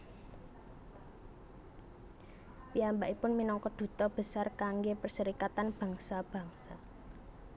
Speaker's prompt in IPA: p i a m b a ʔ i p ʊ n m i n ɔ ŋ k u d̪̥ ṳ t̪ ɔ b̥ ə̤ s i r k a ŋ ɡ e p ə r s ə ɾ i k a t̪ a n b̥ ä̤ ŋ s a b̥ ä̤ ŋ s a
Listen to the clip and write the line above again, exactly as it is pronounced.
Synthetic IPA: p i a m b a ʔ i p ʊ n m i n ɔ ŋ k ɔ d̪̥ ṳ t̪ ɔ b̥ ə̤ s a r k a ŋ ɡ e p ə r s ə ɾ i k a t̪ a n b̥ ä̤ ŋ s a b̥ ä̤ ŋ s a